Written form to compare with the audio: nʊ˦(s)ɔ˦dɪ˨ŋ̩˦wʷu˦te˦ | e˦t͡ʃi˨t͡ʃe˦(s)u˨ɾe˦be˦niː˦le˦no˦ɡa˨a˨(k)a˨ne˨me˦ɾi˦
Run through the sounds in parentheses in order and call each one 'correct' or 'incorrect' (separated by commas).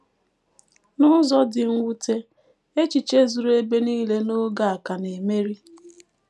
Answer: incorrect, incorrect, correct